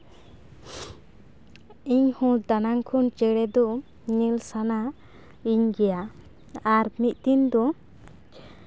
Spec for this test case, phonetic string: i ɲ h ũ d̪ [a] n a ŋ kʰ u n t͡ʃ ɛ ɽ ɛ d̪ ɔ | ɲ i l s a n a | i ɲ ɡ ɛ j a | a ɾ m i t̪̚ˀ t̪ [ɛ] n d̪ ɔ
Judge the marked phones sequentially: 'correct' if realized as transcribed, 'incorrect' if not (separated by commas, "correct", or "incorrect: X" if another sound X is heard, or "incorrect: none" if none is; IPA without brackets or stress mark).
correct, incorrect: i